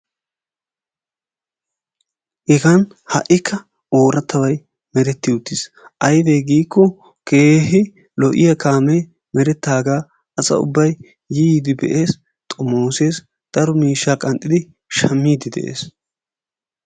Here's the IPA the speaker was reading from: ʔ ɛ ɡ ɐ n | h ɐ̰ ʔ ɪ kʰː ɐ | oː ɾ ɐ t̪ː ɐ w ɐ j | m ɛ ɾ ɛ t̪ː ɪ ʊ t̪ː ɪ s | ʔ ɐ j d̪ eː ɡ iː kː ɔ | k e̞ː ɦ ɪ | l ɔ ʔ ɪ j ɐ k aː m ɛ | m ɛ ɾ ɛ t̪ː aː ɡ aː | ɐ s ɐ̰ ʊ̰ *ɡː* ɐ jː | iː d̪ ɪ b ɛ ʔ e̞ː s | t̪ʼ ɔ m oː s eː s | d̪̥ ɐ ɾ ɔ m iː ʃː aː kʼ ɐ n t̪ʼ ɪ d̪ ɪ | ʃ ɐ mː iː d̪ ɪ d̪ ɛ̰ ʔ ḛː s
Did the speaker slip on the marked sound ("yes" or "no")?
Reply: yes